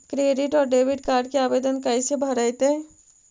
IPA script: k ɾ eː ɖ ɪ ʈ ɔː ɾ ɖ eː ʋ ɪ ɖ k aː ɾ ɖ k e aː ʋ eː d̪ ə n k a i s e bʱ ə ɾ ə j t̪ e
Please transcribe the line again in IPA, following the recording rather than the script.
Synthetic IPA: k ɾ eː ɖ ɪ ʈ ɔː ɾ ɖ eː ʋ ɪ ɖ k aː ɾ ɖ k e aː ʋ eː d̪ ə n k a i s e bʱ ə ɾ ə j t̪ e

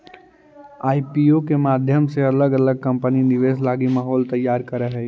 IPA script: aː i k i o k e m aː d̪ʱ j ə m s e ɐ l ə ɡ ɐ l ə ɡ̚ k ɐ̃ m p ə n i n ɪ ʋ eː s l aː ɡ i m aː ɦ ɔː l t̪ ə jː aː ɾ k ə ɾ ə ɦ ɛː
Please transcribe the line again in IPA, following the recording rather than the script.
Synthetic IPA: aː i p i o k e m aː d̪ʱ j ə m s e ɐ l ə ɡ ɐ l ə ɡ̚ k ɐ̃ m p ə n i n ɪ ʋ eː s l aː ɡ i m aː ɦ ɔː l t̪ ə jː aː ɾ k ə ɾ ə ɦ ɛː

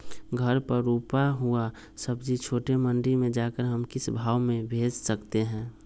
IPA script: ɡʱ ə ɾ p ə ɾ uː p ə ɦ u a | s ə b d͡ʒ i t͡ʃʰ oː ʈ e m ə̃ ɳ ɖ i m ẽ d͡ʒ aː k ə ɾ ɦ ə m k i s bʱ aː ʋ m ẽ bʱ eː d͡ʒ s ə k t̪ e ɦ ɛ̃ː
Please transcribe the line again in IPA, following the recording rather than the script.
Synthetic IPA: ɡʱ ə ɾ p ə ɾ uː p a ɦ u a | s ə b d͡ʒ i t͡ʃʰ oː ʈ e m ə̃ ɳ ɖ i m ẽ d͡ʒ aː k ə ɾ ɦ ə m k ɪ s bʱ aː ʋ m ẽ bʱ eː d͡ʒ s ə k t̪ e ɦ ɛ̃ː

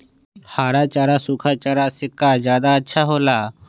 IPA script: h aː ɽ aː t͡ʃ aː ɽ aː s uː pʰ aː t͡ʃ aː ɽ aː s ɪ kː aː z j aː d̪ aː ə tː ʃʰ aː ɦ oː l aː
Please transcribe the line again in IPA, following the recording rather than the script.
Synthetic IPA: h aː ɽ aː t͡ʃ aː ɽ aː s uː kʰ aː t͡ʃ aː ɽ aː s ɪ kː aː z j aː d̪ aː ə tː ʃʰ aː ɦ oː l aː

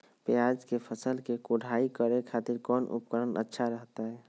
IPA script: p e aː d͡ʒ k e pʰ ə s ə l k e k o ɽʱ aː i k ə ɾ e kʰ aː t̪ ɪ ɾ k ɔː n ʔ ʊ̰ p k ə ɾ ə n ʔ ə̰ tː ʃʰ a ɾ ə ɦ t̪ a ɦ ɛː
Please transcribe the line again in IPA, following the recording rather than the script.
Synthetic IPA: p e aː d͡ʒ k e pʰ ə s ə l k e k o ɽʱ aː i k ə ɾ e kʰ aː t̪ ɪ ɾ k ɔː n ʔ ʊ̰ p k ə ɾ ə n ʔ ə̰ tː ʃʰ a ɾ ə ɦ t̪ a ɦ ɛː

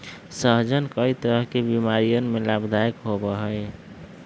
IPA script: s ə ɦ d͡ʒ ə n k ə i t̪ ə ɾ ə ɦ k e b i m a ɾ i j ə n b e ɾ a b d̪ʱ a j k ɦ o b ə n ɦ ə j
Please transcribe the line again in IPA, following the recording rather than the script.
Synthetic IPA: s ə ɦ d͡ʒ ə n k ə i t̪ ə ɾ ə ɦ k e b i m a ɾ i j ə n m e l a b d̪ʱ a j k ɦ o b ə ɦ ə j

